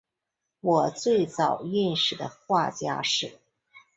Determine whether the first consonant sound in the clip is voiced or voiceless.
voiced